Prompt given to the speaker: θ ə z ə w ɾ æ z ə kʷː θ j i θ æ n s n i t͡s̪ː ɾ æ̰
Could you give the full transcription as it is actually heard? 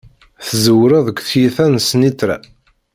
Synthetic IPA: θ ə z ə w ɾ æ ð ə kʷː θ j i θ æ n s n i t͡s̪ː ɾ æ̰